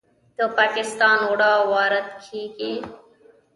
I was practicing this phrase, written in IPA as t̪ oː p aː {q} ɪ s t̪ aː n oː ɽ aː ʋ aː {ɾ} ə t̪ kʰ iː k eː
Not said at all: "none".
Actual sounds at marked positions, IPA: k, ɾ

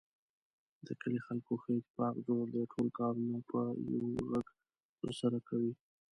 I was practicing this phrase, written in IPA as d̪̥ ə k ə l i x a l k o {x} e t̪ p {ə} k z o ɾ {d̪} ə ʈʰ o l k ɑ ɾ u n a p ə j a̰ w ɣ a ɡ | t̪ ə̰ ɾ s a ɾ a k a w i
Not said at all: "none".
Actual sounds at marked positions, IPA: x, ɑ, d̪

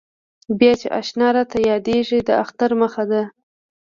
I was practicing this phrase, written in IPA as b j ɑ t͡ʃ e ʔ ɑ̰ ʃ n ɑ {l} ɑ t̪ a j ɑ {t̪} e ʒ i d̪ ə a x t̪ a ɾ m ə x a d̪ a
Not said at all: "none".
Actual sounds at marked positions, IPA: ɾ, d̪

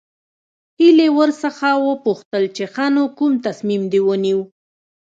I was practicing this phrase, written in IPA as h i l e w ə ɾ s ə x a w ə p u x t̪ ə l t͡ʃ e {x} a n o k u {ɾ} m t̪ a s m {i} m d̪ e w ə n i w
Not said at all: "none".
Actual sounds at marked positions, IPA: x, none, i

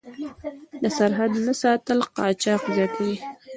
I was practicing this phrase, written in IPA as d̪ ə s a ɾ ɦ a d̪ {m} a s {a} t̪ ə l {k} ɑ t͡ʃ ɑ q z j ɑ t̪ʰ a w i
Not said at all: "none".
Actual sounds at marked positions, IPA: n, ɑ, q

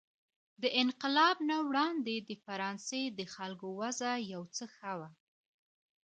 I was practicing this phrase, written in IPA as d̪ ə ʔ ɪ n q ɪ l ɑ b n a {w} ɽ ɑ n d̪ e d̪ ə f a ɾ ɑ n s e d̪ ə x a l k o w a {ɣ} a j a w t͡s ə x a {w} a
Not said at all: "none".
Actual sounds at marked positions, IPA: w, z, w

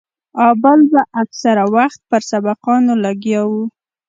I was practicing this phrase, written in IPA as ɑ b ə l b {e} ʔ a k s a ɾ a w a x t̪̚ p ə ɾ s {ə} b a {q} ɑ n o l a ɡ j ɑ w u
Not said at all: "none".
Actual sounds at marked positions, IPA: a, a, q

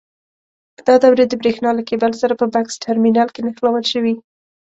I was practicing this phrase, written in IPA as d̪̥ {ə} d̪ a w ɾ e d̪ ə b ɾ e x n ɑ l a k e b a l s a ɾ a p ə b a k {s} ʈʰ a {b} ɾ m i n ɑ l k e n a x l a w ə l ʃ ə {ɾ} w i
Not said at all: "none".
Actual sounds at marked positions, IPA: ɑ, s, none, none

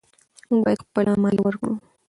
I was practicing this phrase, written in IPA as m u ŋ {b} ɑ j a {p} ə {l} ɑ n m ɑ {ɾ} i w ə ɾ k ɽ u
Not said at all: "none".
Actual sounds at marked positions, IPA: b, p, l, l

